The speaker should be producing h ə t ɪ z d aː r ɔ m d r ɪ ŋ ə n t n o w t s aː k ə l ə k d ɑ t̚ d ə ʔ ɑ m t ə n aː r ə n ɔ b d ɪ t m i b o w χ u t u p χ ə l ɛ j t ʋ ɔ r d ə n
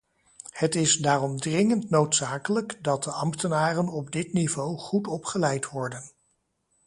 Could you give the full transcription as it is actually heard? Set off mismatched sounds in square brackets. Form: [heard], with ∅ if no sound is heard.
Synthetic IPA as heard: h ə t ɪ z d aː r ɔ m d r ɪ ŋ ə n t n o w t s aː k ə l ə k d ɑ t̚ d ə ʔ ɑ m t ə n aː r ə n ɔ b d ɪ t [n] i [v] o w χ u t [ɔ] p χ ə l ɛ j t ʋ ɔ [ɹ] d ə n